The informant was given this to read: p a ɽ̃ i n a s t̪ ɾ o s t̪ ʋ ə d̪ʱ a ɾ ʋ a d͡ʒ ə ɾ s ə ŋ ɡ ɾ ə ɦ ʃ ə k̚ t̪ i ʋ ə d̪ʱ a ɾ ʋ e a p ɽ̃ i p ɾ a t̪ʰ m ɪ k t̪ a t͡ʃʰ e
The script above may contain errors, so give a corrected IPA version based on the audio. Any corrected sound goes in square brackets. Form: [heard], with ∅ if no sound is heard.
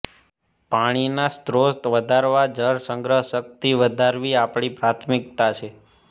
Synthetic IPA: p a ɽ̃ i n a s t̪ ɾ o s t̪ ʋ ə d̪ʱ a ɾ ʋ a d͡ʒ ə ɾ s ə ŋ ɡ ɾ ə ɦ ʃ ə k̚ t̪ i ʋ ə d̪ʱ a ɾ ʋ [i] a p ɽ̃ i p ɾ a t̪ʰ m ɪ k t̪ a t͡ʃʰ e